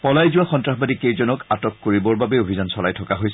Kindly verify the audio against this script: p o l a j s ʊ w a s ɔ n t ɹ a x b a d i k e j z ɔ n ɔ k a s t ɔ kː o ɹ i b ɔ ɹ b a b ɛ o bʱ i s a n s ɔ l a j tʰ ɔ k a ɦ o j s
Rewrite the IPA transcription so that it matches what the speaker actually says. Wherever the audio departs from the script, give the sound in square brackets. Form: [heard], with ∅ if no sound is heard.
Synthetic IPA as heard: p [ɔ] l a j [z] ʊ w a [x] ɔ n t ɹ a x b a d i k e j z ɔ n ɔ k a [∅] t ɔ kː o ɹ i b ɔ ɹ b a b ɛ o bʱ i [z] a n s ɔ l a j tʰ ɔ k a ɦ o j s